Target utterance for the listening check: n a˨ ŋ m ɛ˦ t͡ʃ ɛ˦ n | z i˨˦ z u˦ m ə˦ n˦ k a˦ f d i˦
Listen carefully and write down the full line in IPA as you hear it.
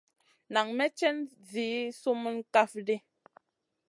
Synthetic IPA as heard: n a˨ ŋ m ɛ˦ t͡ʃ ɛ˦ n | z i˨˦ s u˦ m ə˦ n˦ k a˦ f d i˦